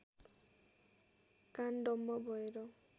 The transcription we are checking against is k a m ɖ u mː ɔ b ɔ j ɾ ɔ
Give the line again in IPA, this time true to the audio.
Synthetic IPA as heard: k a n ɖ ɔ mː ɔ b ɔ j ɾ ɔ